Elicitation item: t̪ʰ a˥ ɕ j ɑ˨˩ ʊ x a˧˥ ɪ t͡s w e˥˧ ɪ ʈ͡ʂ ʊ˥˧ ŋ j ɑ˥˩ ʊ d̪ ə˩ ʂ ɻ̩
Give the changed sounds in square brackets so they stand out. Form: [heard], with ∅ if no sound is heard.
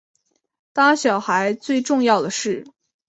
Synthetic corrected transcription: [t̪] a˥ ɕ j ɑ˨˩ ʊ x a˧˥ ɪ t͡s w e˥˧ ɪ ʈ͡ʂ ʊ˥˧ ŋ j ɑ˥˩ ʊ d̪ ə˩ ʂ ɻ̩